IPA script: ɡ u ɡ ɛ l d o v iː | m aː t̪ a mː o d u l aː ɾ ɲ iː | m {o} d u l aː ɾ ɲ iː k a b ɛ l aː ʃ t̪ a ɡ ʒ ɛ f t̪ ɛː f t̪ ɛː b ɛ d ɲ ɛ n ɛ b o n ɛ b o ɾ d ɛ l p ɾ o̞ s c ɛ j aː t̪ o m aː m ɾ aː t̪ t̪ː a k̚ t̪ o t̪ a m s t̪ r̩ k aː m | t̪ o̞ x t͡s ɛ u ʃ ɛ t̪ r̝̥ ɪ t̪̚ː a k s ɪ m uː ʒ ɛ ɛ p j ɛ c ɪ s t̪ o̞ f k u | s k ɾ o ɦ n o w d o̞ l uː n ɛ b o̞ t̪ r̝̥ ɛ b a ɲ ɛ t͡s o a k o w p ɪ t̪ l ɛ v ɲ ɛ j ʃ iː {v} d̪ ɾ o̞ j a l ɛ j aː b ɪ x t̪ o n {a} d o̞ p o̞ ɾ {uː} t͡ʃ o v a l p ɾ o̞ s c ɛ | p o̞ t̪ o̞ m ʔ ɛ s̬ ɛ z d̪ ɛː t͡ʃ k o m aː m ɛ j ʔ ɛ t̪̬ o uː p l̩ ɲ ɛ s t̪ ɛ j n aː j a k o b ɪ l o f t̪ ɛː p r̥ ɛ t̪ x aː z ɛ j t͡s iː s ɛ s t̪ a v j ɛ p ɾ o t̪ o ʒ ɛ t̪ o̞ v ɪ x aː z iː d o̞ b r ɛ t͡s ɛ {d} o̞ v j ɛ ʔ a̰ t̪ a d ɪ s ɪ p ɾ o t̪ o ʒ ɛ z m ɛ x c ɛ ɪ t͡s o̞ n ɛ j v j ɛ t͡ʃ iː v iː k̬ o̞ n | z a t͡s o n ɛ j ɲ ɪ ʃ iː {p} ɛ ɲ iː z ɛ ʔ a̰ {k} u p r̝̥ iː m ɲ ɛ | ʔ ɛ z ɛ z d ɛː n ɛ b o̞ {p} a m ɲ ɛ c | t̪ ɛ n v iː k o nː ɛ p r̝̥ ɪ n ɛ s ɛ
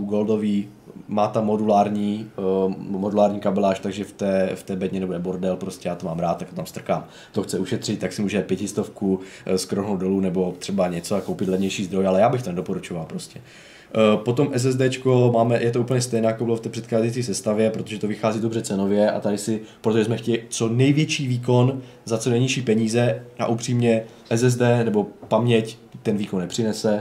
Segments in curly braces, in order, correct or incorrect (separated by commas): correct, incorrect, incorrect, incorrect, incorrect, correct, incorrect, correct